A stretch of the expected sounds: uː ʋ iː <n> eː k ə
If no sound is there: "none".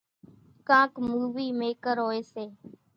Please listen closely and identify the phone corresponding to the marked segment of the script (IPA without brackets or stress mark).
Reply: m